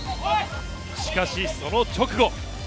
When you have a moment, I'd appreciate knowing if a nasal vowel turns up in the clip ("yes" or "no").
no